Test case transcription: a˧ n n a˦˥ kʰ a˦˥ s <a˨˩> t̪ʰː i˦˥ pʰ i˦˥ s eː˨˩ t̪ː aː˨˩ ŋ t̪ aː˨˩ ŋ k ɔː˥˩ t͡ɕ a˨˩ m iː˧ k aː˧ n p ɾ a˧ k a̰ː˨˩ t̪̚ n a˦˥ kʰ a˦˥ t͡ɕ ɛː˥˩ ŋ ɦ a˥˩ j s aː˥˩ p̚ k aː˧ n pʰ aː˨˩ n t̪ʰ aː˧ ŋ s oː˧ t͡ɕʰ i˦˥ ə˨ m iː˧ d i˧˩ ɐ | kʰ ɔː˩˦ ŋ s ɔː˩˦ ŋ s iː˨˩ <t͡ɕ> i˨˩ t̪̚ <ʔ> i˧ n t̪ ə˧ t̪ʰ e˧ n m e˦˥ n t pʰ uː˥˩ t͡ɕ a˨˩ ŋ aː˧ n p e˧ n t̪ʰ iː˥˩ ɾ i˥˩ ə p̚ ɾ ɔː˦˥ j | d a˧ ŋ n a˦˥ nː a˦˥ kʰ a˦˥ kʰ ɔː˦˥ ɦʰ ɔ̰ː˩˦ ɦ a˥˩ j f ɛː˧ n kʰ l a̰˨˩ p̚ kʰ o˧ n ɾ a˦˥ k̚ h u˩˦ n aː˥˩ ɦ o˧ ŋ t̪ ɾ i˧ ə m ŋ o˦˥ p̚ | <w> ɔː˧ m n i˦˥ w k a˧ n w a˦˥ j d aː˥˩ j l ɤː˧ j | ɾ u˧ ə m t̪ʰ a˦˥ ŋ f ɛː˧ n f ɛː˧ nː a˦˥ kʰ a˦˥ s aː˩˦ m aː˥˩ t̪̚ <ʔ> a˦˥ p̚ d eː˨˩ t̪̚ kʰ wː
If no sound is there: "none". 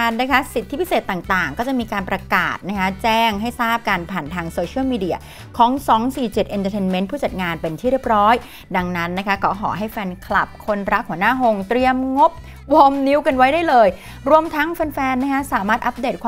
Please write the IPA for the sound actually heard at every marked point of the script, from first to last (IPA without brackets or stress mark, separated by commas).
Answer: i˨˩, t͡ɕ, ʔ, w, ʔ